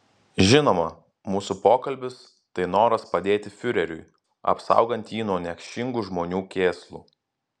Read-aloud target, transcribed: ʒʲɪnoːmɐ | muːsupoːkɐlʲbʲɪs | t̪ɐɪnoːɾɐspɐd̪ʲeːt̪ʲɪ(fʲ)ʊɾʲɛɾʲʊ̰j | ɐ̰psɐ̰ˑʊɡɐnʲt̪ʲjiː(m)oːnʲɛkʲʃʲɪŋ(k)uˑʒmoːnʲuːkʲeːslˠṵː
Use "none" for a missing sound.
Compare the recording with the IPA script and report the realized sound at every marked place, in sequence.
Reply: fʲ, n, ɡ

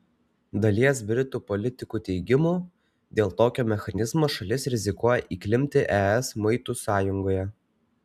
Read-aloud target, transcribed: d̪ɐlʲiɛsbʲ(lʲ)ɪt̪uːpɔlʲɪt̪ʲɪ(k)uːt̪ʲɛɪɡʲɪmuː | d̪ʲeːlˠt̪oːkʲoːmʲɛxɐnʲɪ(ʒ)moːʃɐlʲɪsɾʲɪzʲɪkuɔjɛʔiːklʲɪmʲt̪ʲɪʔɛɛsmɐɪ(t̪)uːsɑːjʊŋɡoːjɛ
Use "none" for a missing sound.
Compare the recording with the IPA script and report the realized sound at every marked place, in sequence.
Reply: ɾʲ, k, z, t̪

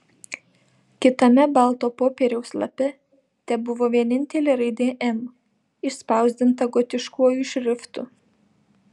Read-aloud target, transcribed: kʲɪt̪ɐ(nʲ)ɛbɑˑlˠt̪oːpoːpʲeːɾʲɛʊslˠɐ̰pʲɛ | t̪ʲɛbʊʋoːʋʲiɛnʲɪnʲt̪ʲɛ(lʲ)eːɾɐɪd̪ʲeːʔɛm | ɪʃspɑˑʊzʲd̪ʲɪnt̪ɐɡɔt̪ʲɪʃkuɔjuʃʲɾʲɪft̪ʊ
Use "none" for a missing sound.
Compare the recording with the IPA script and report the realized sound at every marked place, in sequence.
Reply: mʲ, lʲ

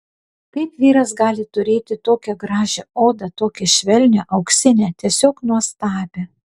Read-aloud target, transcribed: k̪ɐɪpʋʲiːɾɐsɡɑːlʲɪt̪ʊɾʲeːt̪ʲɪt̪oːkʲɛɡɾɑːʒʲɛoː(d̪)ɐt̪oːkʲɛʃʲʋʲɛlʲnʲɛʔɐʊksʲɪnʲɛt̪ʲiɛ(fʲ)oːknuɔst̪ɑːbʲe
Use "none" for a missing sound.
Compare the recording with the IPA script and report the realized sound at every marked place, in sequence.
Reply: d̪, sʲ

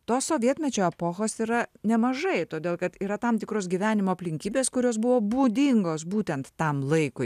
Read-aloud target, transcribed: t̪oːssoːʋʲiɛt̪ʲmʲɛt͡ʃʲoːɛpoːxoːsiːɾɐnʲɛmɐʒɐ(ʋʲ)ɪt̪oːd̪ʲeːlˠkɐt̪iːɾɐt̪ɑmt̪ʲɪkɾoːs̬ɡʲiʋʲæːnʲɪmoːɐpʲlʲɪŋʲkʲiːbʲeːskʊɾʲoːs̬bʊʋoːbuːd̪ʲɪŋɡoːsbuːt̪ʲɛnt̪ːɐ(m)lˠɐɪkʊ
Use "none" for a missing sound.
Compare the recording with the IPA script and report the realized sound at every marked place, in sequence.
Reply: none, m

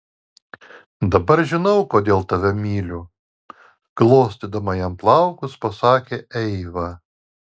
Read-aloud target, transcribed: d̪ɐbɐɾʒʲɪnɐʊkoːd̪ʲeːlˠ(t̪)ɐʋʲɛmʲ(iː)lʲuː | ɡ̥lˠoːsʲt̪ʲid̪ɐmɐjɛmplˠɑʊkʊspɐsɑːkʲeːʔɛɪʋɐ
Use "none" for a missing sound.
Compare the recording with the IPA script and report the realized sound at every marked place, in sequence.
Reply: t̪, iː

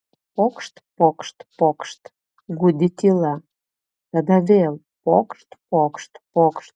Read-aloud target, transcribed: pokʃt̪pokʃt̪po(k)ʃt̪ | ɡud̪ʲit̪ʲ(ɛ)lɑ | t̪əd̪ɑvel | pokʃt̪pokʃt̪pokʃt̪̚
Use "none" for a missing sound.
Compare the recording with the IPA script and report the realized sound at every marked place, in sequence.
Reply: k, i

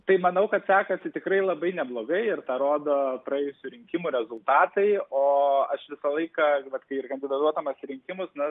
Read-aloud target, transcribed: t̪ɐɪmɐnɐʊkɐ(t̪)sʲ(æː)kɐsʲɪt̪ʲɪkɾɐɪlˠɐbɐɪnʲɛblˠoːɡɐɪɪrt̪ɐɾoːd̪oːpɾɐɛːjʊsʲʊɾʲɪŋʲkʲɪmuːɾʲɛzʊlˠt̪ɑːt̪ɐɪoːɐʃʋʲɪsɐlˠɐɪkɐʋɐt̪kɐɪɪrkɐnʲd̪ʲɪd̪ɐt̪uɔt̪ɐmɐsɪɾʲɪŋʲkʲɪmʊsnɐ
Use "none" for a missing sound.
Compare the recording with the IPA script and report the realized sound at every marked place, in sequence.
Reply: t̪, æː

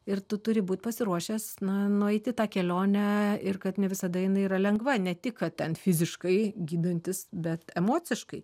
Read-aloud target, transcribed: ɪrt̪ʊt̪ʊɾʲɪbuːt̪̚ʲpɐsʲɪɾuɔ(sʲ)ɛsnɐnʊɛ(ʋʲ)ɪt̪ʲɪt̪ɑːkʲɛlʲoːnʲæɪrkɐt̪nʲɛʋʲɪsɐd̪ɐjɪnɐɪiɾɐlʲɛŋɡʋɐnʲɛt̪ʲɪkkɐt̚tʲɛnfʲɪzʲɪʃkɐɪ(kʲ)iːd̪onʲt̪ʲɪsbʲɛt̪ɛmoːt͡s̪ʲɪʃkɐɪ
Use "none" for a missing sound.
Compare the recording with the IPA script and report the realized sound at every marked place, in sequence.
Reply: ʃʲ, none, ɡʲ

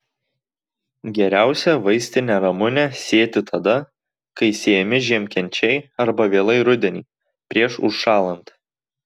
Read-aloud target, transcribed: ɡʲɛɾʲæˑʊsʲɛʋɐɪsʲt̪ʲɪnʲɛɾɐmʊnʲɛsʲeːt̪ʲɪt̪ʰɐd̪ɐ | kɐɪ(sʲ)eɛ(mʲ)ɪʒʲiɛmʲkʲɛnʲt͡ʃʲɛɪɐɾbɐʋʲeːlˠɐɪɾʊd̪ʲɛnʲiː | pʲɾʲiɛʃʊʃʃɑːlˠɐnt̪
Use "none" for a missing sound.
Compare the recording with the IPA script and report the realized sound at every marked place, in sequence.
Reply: sʲ, mʲ

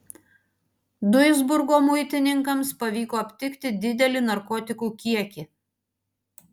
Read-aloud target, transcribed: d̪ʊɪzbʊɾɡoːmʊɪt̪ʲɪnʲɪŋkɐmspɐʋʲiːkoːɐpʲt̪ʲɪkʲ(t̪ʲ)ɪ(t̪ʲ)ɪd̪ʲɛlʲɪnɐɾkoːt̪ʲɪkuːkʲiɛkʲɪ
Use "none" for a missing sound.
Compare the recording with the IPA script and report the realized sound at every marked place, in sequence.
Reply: t̪ʲ, d̪ʲ

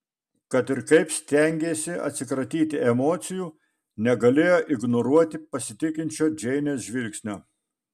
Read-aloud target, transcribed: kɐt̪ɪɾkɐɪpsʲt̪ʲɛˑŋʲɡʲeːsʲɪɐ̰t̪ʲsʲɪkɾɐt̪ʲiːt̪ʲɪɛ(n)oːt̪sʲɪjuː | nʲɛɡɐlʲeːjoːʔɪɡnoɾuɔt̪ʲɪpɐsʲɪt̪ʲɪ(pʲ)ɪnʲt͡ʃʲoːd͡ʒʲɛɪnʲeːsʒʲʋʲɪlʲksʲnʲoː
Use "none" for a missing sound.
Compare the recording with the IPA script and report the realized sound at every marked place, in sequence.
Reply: m, kʲ

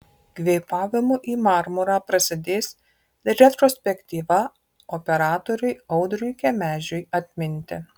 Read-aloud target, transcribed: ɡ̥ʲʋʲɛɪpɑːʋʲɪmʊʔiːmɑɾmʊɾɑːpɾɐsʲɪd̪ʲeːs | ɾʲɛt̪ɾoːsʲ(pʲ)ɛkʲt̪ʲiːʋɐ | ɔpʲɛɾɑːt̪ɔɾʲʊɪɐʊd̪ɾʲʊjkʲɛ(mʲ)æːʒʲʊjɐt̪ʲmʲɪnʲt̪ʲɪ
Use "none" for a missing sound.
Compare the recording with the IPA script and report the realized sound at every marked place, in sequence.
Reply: pʲ, mʲ

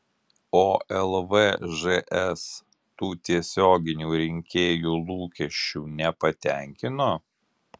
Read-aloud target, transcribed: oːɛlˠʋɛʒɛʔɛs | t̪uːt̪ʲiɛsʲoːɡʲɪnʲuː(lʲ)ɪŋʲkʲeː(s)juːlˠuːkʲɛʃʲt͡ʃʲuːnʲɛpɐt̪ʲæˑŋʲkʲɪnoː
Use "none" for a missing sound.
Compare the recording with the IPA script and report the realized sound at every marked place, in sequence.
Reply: ɾʲ, none

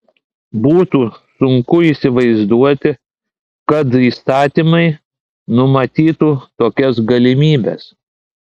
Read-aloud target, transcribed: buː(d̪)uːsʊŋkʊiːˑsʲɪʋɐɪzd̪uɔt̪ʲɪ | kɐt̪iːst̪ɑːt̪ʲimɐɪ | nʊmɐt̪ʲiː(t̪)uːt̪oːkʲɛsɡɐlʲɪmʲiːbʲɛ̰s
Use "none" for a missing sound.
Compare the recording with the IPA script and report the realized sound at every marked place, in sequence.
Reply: t̪, t̪

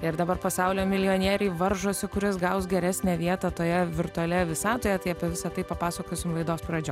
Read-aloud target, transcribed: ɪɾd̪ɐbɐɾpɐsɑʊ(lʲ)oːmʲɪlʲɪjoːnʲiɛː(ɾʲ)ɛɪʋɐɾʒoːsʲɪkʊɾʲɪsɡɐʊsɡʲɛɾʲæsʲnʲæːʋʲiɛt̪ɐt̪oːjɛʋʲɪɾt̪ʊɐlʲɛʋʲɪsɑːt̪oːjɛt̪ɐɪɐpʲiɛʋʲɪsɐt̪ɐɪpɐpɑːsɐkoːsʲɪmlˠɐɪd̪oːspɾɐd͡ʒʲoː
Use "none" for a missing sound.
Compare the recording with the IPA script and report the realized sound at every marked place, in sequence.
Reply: lʲ, ɾʲ

